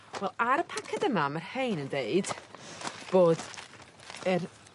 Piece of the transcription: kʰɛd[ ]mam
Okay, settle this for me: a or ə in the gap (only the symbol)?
ə